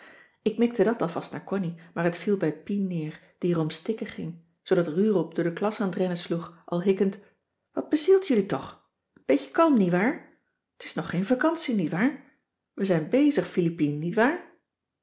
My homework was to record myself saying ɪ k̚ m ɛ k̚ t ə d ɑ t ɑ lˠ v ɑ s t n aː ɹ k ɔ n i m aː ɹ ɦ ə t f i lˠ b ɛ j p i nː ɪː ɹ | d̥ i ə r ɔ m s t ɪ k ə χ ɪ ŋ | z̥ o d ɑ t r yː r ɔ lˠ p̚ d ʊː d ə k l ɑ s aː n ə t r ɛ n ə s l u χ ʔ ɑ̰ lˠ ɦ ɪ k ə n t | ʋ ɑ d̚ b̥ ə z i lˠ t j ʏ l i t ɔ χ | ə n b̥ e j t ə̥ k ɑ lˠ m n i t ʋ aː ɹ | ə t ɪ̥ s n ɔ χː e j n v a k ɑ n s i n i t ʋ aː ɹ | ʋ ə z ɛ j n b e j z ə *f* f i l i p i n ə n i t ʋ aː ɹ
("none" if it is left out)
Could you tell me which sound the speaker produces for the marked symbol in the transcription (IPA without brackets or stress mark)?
χ